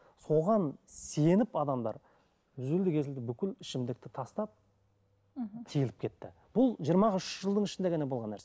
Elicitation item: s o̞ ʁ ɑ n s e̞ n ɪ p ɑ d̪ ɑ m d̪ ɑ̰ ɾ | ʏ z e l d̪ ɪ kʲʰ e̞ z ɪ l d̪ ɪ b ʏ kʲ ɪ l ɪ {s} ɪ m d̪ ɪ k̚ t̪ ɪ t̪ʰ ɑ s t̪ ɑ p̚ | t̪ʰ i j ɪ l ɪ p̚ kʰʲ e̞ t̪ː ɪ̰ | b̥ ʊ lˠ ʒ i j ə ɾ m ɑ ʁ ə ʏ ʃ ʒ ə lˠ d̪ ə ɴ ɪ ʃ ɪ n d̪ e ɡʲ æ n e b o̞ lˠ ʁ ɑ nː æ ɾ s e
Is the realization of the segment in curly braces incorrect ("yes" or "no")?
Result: yes